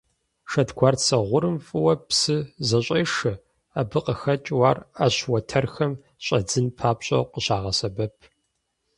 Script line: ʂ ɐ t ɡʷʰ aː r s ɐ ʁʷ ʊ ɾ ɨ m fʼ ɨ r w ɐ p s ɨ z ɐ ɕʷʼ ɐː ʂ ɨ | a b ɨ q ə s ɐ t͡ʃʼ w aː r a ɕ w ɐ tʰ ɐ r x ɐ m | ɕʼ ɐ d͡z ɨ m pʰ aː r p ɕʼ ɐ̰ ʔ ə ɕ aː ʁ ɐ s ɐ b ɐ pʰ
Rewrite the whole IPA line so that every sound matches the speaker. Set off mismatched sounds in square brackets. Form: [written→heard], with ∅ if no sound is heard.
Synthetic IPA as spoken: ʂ ɐ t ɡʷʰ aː r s ɐ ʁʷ ʊ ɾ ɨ m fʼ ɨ [r→∅] w ɐ p s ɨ z ɐ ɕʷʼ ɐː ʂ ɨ | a b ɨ q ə [s→x] ɐ t͡ʃʼ w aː r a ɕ w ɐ tʰ ɐ r x ɐ m | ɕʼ ɐ d͡z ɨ [m→n] pʰ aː [r→∅] p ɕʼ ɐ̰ [ʔ→q] ə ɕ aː ʁ ɐ s ɐ b ɐ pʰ